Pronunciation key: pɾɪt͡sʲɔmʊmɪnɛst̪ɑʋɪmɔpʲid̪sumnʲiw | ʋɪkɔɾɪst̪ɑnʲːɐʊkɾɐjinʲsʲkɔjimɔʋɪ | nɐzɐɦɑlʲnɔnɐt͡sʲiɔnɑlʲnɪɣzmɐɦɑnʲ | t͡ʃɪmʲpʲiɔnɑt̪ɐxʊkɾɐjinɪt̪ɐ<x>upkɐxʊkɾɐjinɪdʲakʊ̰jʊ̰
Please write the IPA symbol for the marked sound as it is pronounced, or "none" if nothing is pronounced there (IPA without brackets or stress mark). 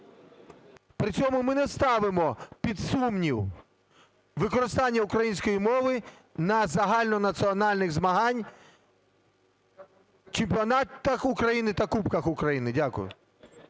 k